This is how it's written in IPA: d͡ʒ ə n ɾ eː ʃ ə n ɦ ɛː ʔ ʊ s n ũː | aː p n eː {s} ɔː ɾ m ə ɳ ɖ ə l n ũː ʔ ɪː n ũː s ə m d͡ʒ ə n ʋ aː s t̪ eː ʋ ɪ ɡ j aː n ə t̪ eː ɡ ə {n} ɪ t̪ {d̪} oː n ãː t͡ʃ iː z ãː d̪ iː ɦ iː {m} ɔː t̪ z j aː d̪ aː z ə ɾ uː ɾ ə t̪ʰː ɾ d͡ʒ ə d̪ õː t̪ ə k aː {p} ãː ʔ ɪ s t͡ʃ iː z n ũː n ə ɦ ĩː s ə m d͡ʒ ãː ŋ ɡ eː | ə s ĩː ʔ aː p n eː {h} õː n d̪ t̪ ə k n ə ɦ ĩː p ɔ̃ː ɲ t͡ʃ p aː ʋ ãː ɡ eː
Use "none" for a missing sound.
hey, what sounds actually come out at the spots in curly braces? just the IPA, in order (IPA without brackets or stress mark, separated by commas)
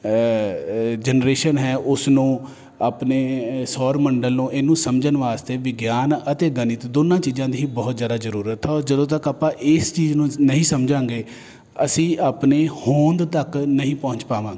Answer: s, n, d̪, b, p, h